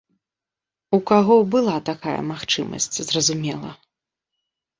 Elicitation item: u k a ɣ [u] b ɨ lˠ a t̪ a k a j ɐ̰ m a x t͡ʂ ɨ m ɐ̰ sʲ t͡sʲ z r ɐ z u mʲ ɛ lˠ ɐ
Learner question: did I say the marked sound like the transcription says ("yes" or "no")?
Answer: no